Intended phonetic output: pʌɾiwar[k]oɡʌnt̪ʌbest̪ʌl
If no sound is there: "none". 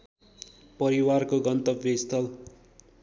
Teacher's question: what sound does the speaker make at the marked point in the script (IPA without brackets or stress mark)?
k